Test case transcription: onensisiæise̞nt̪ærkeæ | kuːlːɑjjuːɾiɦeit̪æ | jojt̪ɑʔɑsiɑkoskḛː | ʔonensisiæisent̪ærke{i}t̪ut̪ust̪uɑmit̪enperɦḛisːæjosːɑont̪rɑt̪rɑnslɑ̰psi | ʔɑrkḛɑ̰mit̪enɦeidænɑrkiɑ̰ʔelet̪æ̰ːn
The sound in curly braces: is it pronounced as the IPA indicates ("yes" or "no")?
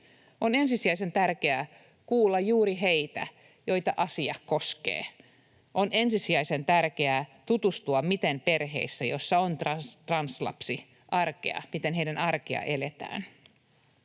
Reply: no